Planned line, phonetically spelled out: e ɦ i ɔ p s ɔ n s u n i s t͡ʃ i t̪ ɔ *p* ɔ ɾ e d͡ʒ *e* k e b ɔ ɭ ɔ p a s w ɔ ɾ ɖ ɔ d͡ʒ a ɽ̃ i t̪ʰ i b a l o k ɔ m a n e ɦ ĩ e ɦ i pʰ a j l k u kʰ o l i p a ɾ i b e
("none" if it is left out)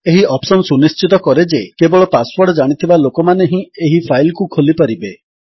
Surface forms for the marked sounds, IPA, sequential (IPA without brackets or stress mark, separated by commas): k, e